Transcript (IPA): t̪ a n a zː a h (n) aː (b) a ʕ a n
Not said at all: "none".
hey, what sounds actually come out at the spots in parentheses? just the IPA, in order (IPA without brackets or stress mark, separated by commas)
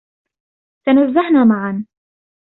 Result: n, m